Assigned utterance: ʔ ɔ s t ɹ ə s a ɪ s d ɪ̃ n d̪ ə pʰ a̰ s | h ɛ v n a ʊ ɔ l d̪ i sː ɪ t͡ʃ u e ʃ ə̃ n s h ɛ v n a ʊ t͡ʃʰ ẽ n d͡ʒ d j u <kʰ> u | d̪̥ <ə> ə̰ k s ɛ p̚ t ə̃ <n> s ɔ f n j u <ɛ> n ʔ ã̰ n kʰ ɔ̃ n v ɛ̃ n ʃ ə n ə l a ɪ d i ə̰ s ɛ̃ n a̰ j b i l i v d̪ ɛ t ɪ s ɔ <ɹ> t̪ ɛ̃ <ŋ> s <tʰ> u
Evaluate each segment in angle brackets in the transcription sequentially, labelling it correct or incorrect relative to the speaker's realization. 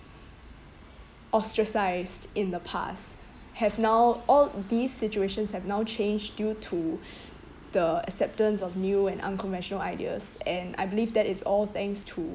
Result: incorrect: tʰ, correct, correct, incorrect: ɛ̃, incorrect: l, correct, correct

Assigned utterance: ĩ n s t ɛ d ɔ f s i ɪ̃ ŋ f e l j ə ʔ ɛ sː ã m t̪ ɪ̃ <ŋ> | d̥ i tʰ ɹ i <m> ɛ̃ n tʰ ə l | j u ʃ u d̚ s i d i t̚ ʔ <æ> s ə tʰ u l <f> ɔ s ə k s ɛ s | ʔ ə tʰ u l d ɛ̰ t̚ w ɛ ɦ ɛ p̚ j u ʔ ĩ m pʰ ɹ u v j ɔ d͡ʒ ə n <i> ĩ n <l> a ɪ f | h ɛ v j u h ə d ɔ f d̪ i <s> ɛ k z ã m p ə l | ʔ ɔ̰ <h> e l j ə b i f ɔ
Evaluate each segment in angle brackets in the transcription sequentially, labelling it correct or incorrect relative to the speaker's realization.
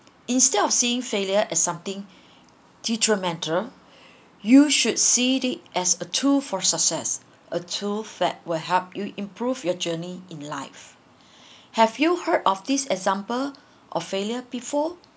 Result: correct, correct, incorrect: ɛ, correct, correct, correct, correct, incorrect: f

